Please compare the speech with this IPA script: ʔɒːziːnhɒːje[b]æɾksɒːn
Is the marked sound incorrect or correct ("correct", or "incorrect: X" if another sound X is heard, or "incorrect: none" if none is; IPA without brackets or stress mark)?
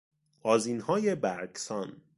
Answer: correct